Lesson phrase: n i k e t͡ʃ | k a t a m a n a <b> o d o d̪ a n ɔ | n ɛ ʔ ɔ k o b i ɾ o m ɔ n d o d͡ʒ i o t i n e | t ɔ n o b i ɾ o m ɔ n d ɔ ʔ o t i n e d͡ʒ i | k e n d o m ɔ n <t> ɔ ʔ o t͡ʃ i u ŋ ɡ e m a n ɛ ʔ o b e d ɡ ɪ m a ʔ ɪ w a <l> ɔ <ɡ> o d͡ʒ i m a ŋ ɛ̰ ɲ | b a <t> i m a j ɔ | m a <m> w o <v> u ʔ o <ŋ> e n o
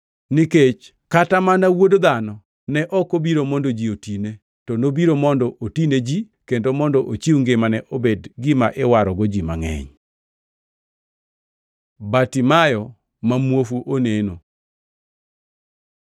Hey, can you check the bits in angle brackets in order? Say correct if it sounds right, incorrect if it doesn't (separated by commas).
incorrect, incorrect, incorrect, correct, correct, correct, incorrect, incorrect